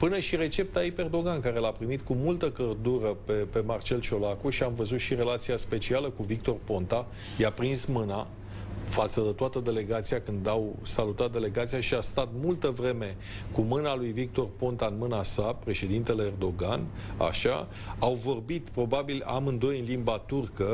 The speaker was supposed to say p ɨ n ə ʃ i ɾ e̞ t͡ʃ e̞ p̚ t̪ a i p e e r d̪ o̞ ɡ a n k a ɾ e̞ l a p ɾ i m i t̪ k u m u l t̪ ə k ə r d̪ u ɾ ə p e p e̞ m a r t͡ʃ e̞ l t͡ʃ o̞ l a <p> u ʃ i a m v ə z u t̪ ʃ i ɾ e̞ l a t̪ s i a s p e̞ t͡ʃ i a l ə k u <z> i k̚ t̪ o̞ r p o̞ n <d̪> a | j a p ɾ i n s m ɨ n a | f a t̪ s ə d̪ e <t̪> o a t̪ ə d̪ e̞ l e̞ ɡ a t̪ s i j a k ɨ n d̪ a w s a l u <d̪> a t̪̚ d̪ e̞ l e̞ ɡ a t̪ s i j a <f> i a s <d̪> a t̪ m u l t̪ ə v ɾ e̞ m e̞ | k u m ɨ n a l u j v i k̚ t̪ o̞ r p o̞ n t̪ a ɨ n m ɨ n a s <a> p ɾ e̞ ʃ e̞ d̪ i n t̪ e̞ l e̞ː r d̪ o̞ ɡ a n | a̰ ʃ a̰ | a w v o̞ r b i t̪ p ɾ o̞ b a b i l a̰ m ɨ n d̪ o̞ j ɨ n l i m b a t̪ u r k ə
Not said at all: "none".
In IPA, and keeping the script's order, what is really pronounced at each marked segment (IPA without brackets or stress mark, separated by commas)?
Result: k, v, t̪, t̪, t̪, ʃ, t̪, a